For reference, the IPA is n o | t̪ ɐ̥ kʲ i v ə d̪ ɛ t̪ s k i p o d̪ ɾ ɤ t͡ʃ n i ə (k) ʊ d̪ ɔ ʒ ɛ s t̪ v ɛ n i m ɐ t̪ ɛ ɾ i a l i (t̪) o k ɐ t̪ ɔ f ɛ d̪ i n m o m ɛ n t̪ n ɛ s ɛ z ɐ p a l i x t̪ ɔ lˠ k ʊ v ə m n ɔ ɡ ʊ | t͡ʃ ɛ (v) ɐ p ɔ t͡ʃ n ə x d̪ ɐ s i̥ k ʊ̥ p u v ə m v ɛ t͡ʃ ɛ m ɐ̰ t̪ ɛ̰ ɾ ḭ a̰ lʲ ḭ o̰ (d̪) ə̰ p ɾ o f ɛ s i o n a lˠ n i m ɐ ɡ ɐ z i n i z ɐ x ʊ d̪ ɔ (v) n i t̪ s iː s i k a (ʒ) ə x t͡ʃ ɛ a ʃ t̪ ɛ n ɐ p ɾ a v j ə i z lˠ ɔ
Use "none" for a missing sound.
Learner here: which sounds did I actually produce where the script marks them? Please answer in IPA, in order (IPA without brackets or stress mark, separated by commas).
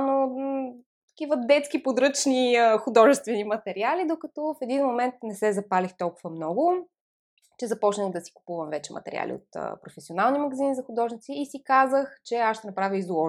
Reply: x, d̪, z, t̪, ʒ, z